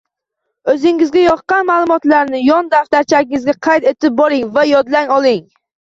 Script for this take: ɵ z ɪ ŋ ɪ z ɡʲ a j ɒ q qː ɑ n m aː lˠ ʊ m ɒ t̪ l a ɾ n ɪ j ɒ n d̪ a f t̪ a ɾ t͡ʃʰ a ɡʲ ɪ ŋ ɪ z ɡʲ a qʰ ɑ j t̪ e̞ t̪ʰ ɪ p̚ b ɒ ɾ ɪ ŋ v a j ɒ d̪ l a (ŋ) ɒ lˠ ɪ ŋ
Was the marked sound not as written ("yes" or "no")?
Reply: no